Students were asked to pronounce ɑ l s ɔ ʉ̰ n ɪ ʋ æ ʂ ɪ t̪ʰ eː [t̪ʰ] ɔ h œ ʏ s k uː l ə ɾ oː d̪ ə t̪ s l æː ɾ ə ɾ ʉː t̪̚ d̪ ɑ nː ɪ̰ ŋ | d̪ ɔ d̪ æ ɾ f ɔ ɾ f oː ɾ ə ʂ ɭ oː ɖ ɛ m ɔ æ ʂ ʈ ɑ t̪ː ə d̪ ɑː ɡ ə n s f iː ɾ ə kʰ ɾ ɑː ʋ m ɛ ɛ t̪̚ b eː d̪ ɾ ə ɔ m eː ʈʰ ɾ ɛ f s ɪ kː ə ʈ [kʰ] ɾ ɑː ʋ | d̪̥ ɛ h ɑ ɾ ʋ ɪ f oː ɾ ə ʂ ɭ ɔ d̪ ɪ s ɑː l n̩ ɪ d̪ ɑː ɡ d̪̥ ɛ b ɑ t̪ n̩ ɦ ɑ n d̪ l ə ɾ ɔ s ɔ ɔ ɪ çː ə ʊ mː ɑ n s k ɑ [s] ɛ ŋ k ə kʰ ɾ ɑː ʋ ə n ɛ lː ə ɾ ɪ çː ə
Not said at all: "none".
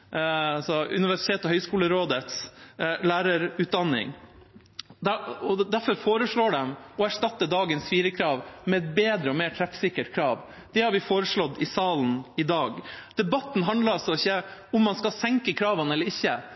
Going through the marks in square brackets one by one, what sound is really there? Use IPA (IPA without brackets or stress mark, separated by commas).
t̪, kʰ, s